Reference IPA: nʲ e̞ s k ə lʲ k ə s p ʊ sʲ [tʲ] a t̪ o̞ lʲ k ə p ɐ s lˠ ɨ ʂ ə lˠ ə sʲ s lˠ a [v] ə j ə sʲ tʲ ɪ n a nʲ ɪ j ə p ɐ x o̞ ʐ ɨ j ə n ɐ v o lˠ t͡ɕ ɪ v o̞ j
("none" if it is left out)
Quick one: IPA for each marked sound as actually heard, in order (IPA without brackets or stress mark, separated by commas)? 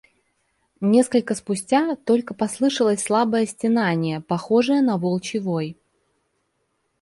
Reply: tʲ, b